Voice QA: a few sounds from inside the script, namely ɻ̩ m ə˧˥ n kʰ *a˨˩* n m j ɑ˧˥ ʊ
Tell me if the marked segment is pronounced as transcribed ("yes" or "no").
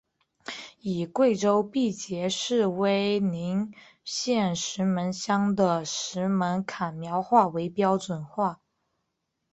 yes